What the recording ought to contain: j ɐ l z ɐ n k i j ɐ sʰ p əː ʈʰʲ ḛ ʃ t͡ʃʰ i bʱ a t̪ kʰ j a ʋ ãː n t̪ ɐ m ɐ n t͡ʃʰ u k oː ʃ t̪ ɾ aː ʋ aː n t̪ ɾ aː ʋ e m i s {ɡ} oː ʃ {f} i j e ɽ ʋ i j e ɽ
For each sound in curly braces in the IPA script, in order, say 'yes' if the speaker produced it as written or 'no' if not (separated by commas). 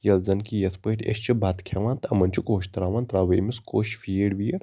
no, yes